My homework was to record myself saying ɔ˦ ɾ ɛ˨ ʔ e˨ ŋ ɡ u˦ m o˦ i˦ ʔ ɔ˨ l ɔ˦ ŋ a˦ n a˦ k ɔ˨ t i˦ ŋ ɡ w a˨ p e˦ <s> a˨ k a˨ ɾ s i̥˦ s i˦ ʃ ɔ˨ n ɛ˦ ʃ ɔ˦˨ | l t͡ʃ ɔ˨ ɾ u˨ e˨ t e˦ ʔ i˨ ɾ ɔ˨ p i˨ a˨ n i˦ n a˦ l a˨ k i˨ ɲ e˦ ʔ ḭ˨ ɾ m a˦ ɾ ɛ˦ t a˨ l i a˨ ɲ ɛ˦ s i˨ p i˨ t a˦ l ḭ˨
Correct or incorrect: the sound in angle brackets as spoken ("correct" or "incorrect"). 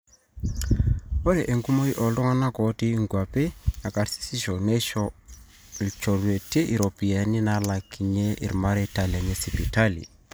incorrect